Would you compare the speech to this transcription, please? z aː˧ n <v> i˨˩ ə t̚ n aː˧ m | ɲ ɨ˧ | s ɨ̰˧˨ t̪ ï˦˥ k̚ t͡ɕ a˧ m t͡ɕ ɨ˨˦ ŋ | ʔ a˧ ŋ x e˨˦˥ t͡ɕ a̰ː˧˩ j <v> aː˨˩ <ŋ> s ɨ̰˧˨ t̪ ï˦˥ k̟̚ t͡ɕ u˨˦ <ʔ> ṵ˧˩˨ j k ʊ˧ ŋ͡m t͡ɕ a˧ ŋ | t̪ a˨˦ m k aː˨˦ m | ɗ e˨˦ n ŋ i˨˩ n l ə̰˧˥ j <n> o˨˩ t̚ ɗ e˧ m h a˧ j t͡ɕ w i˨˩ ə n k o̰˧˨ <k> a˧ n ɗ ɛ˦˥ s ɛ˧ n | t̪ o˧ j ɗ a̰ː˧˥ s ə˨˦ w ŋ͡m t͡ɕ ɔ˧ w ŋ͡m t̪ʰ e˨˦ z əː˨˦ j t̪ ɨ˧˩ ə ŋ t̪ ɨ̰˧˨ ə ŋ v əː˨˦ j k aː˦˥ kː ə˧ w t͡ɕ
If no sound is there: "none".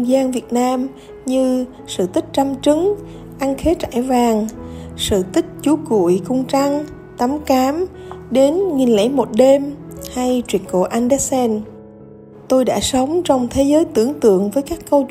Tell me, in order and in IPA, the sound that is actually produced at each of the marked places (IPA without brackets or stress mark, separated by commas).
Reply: v, v, ŋ, k, m, ʔ